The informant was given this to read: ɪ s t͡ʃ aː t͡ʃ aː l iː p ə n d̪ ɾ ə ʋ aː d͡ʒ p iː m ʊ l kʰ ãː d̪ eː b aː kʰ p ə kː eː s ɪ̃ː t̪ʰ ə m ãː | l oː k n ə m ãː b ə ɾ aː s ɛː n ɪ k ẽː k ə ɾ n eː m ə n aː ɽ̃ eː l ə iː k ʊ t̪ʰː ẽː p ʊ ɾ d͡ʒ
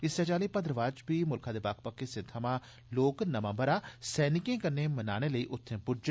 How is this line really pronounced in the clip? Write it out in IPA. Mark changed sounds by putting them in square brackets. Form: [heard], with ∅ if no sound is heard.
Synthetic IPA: ɪ s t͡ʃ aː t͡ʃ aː l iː p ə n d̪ ɾ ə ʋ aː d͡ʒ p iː m ʊ l kʰ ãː d̪ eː b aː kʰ p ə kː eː s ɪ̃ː t̪ʰ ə m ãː | l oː k n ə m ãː b ə ɾ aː s ɛː n ɪ k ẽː k ə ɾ n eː m ə n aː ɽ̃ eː l ə iː [ʔ] ʊ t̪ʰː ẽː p ʊ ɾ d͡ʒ